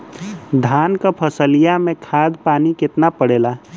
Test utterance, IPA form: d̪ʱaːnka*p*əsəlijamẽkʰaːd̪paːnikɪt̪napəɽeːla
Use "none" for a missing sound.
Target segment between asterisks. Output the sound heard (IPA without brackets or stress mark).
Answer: pʰ